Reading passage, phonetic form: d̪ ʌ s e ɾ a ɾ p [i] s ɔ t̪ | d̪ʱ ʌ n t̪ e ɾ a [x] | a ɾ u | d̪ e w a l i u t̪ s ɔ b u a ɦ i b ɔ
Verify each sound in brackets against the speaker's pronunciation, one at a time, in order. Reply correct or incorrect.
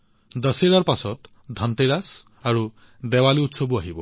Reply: incorrect, incorrect

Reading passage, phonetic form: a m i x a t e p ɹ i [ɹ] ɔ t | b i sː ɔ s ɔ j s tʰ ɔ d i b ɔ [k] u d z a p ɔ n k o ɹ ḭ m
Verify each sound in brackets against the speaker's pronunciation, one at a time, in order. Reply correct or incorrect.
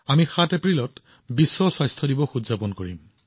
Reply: incorrect, incorrect

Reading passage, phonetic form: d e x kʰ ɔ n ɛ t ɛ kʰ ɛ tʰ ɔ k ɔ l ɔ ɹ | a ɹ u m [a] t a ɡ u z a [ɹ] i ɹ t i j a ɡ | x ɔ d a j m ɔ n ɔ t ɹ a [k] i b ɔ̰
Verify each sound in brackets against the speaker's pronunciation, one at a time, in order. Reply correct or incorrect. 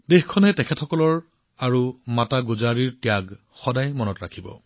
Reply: correct, correct, incorrect

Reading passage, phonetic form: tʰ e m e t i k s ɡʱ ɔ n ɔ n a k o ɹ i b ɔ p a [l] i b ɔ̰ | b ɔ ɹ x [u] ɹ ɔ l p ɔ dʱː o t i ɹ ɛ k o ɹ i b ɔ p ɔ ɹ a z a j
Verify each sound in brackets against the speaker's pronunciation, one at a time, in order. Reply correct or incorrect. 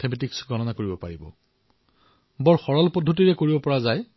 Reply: incorrect, incorrect

